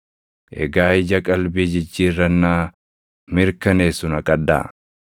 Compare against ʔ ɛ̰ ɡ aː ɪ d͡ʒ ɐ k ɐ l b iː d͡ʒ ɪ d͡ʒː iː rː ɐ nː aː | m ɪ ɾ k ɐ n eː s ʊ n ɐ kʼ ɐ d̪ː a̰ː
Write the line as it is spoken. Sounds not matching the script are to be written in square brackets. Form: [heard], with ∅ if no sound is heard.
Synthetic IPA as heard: ʔ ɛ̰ ɡ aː ɪ d͡ʒ ɐ [kʼ] ɐ l b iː d͡ʒ ɪ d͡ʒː iː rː ɐ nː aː | m ɪ ɾ k ɐ n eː s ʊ n ɐ kʼ ɐ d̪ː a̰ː